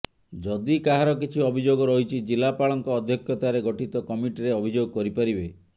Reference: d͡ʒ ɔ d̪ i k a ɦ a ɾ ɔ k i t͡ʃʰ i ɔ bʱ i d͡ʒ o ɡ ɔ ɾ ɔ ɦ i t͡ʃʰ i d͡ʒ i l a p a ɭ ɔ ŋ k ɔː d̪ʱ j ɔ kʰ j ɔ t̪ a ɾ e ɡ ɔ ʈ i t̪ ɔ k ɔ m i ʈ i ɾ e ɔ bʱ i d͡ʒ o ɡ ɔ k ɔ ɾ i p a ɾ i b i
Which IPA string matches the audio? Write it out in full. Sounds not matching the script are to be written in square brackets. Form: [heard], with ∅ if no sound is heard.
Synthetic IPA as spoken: d͡ʒ ɔ d̪ i k a ɦ a ɾ ɔ k i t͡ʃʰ i ɔ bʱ i d͡ʒ o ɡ ɔ ɾ ɔ ɦ i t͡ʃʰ i d͡ʒ i l a p a ɭ ɔ ŋ k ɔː d̪ʱ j ɔ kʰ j ɔ t̪ a ɾ e ɡ ɔ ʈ i t̪ ɔ k ɔ m i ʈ i ɾ e ɔ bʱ i d͡ʒ o ɡ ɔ k ɔ ɾ i p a ɾ i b [e]